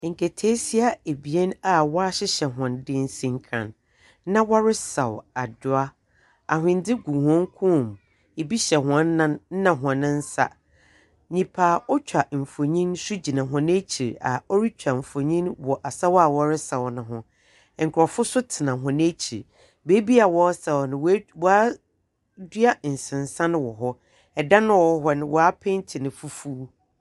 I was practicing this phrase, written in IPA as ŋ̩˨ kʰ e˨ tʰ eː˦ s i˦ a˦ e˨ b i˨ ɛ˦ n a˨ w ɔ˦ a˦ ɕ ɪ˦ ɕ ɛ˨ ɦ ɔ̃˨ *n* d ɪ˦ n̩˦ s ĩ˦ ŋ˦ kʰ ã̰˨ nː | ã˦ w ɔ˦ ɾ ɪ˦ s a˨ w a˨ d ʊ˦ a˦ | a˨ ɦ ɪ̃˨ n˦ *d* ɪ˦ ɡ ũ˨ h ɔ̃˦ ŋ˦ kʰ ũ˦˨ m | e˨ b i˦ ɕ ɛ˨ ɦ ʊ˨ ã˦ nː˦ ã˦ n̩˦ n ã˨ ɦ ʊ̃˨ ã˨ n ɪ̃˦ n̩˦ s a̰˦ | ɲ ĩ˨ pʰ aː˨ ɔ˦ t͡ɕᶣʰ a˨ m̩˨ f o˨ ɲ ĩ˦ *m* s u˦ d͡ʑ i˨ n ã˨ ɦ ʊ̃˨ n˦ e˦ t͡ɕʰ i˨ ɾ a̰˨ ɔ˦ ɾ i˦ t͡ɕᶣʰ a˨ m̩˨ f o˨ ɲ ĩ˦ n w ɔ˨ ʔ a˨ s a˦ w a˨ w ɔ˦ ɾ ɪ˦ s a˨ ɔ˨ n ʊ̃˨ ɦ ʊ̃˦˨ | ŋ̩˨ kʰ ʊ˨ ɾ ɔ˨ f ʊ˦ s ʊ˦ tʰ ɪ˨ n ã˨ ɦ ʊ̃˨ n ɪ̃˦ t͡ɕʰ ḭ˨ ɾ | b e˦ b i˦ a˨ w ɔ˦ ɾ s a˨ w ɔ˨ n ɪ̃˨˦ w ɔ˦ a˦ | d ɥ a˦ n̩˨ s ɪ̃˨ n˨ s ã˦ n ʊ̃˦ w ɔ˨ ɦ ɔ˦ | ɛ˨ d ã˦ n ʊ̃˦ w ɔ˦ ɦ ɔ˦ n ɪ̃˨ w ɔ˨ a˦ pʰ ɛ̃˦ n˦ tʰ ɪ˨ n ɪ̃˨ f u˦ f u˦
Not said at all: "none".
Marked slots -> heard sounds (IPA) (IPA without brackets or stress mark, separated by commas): n, d, n